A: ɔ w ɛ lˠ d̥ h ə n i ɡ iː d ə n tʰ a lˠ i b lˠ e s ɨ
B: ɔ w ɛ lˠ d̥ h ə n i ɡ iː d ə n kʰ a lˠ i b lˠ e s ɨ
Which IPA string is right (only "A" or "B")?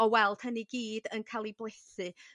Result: B